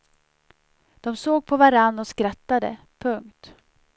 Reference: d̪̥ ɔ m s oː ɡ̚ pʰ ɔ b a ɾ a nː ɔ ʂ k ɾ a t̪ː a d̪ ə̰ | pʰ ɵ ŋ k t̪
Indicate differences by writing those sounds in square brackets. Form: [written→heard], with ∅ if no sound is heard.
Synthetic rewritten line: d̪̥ ɔ m s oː ɡ̚ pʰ ɔ [b→v] a ɾ a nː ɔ [ʂ→s] k ɾ a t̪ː a d̪ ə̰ | pʰ ɵ ŋ k t̪